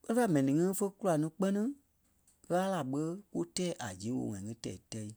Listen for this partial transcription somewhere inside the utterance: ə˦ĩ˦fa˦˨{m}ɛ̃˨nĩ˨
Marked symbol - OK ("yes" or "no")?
yes